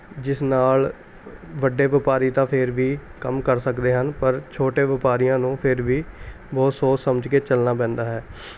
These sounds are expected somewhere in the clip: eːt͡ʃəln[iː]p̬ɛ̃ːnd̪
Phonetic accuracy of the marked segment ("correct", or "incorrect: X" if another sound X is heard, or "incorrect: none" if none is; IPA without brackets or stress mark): incorrect: aː